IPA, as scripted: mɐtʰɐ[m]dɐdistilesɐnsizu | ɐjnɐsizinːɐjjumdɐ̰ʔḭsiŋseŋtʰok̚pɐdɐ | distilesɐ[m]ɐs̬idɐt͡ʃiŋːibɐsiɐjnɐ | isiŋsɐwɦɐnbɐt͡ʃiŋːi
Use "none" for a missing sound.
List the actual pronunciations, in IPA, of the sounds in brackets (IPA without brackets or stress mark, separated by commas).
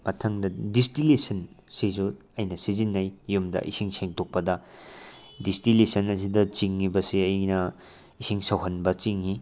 ŋ, n